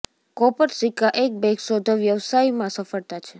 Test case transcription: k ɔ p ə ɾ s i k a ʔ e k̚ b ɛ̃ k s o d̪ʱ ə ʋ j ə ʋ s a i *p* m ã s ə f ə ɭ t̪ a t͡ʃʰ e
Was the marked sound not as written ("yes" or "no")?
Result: yes